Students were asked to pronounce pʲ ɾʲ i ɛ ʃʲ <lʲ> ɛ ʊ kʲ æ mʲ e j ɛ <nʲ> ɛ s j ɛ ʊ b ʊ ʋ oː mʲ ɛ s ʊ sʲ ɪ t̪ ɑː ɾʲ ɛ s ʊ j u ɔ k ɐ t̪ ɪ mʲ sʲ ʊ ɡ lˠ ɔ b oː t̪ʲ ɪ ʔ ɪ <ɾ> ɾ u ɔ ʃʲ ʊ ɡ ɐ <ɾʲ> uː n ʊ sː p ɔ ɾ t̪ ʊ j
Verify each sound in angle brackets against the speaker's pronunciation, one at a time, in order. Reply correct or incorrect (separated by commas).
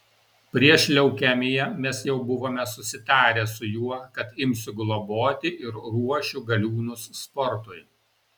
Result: correct, incorrect, correct, incorrect